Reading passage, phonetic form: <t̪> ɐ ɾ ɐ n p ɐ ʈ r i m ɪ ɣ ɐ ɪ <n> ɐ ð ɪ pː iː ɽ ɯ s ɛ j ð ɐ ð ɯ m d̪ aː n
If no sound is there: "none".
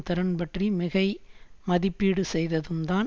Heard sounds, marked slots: t̪, m

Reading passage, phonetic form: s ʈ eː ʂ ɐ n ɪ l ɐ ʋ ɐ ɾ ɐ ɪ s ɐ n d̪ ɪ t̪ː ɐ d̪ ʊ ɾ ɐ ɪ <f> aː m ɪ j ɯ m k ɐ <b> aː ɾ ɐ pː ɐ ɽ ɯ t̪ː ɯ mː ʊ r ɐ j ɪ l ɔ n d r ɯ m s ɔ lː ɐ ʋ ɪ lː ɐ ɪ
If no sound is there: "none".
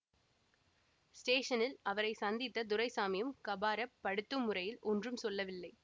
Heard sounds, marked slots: s, b

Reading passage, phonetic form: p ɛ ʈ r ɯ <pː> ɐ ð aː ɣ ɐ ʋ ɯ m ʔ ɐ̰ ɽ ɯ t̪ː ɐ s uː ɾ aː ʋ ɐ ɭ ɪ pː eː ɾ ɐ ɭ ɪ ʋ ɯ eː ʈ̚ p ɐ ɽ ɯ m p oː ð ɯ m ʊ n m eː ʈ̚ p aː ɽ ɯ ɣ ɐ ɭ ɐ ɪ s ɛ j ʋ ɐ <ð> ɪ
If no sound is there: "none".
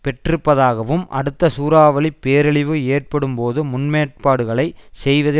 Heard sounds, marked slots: pː, ð

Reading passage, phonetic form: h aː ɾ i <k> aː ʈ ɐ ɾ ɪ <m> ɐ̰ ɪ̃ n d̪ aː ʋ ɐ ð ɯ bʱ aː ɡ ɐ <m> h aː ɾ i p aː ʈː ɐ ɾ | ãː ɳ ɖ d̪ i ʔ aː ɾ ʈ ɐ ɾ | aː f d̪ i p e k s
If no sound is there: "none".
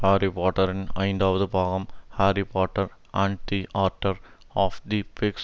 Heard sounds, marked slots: p, n, m

